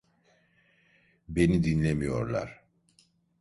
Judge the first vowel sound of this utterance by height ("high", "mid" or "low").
mid